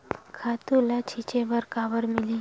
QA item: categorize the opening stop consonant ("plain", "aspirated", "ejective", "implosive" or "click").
aspirated